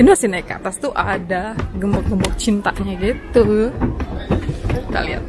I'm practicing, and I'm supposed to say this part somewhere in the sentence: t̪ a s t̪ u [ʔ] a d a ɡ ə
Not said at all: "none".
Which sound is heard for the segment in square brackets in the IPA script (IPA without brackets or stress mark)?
ʔ